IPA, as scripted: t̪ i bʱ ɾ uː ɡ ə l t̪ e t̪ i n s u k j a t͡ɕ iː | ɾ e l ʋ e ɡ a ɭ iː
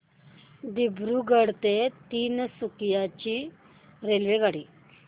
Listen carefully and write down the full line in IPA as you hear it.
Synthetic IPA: d̪ i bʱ ɾ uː ɡ ə ɽ t̪ e t̪ iː n s u k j a t͡ɕ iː | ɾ e l ʋ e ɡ a ɽ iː